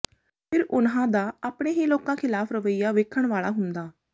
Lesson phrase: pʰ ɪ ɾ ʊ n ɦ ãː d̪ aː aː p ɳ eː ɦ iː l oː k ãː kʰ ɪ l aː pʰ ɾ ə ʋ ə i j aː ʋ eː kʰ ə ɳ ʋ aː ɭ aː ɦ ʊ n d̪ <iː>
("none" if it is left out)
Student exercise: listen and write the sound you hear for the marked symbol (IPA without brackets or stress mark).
aː